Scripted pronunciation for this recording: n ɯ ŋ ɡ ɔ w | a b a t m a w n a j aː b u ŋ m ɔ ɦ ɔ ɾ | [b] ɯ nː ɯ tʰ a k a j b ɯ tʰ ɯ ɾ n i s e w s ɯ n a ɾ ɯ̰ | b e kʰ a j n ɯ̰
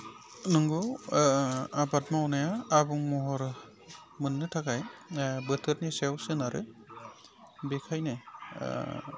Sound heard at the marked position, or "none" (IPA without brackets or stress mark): m